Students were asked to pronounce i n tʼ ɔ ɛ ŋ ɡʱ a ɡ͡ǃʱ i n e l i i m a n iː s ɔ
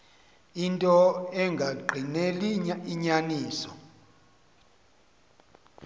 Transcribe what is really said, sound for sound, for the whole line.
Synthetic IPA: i n tʼ ɔ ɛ ŋ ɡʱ a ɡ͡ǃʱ i n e l i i ɲ a n iː s ɔ